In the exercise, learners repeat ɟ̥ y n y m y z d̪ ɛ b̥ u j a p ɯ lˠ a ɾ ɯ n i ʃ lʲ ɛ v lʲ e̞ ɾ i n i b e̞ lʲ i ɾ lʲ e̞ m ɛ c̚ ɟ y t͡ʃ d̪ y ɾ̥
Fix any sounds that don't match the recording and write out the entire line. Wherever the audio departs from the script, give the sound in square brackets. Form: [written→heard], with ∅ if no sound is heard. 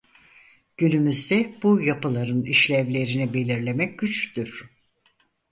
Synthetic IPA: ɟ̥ y n y m y z d̪ ɛ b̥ u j a p ɯ lˠ a ɾ ɯ n i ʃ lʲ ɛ v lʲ e̞ ɾ i n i b e̞ lʲ i ɾ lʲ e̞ m ɛ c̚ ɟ y t͡ʃ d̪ y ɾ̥